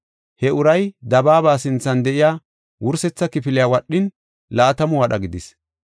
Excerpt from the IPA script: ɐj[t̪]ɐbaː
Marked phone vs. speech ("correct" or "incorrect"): incorrect